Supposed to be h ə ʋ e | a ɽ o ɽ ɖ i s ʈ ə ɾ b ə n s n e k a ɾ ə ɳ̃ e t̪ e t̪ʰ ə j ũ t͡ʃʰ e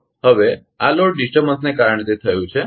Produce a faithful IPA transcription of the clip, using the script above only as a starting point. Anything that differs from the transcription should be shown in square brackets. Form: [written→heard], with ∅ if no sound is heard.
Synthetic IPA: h ə ʋ e | a [ɽ→l] o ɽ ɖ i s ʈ ə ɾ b ə n s n e k a ɾ ə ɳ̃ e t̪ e t̪ʰ ə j ũ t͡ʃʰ e